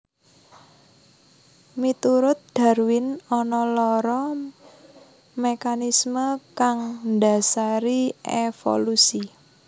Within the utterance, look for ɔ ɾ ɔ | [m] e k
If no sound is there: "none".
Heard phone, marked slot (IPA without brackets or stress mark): m